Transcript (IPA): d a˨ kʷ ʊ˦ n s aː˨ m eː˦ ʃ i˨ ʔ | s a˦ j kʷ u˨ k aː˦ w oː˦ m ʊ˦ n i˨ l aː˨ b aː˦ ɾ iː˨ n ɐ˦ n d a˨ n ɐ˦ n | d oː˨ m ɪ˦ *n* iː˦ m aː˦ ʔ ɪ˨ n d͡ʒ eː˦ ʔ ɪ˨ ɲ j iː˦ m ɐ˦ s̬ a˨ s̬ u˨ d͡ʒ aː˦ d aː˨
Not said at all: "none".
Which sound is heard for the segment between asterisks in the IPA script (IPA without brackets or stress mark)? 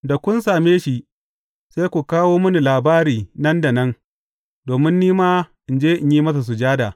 nː